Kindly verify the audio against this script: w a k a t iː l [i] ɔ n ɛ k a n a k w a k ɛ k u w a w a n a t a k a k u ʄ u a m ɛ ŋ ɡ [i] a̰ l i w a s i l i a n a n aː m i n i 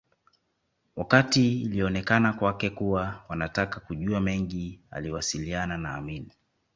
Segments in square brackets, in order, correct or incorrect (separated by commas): correct, correct